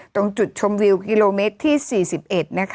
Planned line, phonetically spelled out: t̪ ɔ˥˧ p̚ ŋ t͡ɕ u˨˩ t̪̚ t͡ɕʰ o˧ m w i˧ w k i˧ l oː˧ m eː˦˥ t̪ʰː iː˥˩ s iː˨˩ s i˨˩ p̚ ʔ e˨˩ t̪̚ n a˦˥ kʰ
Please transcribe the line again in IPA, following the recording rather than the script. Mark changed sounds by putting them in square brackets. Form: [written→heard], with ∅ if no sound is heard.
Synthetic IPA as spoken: t̪ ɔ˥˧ [p̚→∅] ŋ t͡ɕ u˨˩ t̪̚ t͡ɕʰ o˧ m w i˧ w k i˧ l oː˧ m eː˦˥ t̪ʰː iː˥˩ s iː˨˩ s i˨˩ p̚ ʔ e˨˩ t̪̚ n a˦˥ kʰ